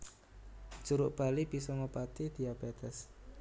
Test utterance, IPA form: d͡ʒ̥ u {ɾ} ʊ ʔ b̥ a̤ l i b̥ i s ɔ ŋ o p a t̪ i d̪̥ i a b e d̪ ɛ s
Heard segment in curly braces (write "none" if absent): ɾ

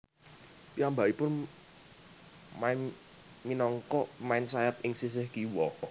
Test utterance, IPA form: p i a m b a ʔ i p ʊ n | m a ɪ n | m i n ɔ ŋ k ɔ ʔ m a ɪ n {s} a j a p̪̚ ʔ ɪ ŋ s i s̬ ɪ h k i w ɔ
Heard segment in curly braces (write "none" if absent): s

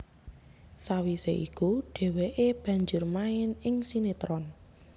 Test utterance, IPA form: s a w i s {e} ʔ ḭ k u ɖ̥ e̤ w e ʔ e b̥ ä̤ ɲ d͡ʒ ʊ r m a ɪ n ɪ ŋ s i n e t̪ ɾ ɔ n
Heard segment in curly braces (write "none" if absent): e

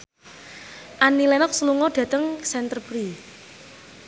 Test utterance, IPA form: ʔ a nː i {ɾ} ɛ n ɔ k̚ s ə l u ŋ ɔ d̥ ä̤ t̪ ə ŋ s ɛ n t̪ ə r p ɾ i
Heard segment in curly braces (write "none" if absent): l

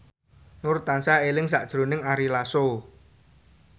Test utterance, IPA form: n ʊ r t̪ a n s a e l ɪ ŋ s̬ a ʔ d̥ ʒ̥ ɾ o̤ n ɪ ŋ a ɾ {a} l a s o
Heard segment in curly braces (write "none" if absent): i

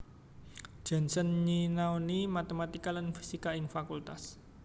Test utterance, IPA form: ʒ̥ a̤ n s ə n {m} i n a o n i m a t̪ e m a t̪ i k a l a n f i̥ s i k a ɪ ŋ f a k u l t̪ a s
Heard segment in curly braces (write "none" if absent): ɲ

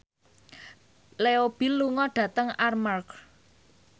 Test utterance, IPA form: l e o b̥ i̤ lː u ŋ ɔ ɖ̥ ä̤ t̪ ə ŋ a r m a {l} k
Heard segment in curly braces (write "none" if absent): r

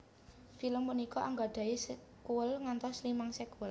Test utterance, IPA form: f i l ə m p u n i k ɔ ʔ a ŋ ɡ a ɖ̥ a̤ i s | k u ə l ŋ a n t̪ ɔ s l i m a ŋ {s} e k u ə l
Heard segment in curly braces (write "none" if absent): s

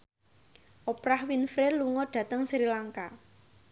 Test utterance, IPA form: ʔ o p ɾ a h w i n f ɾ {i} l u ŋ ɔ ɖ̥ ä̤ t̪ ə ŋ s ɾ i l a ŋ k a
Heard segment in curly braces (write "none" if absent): e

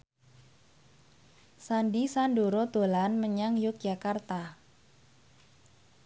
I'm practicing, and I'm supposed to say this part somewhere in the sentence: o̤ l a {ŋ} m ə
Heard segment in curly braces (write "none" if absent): n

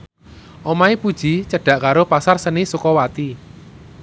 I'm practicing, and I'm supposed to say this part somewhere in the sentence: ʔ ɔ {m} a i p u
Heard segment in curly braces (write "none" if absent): m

